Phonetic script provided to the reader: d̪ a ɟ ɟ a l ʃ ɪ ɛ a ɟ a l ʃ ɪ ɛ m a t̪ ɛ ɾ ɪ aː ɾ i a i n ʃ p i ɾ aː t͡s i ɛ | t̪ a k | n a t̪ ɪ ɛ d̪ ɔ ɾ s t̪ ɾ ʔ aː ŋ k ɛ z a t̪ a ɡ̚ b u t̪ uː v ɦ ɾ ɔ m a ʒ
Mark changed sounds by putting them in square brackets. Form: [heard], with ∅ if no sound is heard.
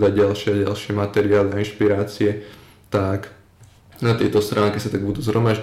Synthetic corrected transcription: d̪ a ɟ ɟ a l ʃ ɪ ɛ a ɟ a l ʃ ɪ ɛ m a t̪ ɛ ɾ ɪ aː [l] i a i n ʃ p i ɾ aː t͡s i ɛ | t̪ a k | n a t̪ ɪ ɛ [t̪] ɔ [∅] s t̪ ɾ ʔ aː ŋ k ɛ [s] a t̪ a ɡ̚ b u [d̪] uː [z] ɦ ɾ ɔ m a ʒ